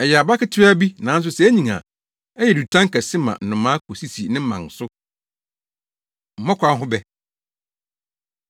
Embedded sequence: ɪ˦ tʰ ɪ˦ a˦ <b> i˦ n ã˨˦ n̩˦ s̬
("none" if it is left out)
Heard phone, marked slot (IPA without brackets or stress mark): b